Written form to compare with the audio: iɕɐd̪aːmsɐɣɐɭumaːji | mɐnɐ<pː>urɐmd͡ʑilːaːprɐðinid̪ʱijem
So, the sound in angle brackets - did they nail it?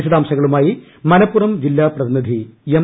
yes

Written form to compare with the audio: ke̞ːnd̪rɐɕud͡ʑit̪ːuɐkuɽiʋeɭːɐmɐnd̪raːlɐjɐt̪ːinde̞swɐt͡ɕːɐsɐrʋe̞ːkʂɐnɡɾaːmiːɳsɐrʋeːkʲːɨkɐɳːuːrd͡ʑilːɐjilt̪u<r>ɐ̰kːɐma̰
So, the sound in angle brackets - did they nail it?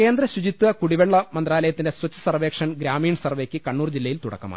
no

